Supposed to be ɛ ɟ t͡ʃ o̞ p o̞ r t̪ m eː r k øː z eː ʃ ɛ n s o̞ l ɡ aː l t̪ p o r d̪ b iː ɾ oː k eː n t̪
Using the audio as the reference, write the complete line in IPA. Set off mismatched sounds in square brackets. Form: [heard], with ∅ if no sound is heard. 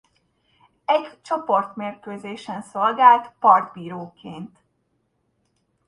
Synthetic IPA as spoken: ɛ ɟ t͡ʃ o̞ p o̞ r t̪ m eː r k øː z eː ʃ ɛ n s o̞ l ɡ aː l t̪ p [ɒ] r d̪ b iː ɾ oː k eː n t̪